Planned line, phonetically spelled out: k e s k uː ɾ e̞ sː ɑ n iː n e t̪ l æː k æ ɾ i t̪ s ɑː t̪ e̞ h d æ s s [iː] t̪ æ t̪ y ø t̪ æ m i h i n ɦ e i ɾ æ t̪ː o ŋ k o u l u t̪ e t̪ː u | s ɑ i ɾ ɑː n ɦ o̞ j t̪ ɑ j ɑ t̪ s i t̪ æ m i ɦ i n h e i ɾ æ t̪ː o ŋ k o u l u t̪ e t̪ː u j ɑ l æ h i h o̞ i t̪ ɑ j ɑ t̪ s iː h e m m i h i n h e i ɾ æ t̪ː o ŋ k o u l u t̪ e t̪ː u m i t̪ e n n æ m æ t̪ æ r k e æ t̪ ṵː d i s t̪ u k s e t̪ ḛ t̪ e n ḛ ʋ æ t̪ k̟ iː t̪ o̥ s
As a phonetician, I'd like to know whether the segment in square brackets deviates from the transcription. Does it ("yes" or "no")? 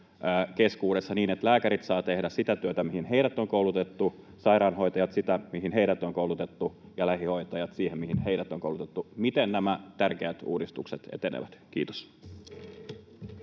yes